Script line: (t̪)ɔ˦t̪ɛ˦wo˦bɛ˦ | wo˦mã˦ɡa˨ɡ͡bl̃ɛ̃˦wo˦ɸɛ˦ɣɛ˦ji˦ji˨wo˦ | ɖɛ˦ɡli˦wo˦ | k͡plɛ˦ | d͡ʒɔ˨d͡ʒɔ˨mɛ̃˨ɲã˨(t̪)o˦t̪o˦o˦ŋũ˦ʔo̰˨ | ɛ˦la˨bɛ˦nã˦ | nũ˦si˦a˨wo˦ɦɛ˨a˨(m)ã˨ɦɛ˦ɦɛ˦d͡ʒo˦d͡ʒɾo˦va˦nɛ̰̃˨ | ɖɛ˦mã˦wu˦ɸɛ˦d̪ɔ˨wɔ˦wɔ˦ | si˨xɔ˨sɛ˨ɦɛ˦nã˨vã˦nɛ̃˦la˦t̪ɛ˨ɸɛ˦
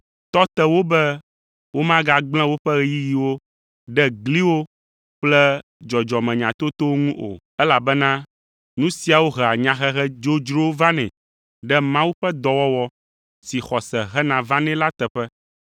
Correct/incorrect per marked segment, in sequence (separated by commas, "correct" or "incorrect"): correct, correct, incorrect